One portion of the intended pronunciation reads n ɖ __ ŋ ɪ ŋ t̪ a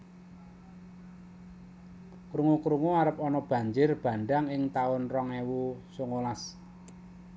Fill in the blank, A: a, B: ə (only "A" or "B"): A